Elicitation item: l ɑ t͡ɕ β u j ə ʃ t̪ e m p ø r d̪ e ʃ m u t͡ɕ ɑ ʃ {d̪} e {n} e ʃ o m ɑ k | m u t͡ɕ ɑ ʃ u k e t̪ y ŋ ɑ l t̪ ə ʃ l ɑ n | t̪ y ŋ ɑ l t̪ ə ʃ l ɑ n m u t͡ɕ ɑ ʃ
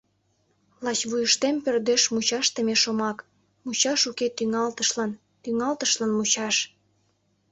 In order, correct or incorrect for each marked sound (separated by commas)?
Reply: incorrect, incorrect